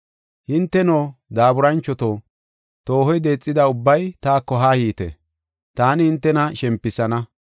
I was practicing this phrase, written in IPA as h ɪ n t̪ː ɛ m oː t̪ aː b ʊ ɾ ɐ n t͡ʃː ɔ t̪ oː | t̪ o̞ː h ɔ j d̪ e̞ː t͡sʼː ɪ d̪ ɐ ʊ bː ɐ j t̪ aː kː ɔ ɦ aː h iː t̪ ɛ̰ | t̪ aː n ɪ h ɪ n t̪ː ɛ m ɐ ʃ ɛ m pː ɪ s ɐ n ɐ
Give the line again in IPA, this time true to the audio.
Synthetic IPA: h ɪ n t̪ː ɛ n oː d̪ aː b ʊ ɾ ɐ n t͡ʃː ɔ t̪ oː | t̪ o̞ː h ɔ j d̪ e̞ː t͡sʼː ɪ d̪ ɐ ʊ bː ɐ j t̪ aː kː ɔ ɦ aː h iː t̪ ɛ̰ | t̪ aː n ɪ h ɪ n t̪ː ɛ n ɐ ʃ ɛ m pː ɪ s ɐ n ɐ